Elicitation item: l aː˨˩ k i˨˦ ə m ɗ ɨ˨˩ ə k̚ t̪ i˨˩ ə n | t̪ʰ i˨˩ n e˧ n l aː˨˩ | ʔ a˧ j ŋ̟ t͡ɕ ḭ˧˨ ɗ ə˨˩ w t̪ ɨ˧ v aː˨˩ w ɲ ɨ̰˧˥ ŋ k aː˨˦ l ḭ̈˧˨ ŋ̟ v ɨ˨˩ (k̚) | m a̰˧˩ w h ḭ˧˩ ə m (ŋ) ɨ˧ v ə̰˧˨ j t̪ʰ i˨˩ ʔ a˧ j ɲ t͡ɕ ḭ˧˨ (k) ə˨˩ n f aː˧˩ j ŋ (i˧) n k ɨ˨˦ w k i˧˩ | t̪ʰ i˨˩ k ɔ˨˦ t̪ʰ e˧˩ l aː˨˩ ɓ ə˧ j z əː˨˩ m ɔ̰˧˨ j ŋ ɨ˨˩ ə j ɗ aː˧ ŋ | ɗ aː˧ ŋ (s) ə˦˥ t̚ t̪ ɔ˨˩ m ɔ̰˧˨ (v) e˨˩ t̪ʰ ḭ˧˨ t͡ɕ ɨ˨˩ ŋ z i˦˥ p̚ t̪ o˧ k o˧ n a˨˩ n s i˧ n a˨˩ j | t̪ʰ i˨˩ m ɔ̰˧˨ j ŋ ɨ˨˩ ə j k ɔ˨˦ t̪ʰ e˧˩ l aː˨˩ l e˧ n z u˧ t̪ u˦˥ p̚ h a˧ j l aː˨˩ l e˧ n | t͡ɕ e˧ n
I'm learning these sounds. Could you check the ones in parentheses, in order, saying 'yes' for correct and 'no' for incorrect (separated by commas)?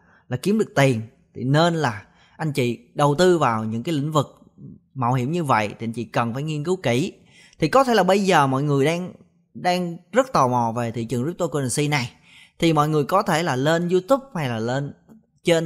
yes, no, yes, yes, no, yes